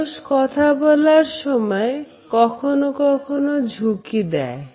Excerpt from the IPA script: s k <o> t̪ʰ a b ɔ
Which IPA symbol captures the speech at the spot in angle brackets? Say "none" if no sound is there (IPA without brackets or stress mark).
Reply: ɔ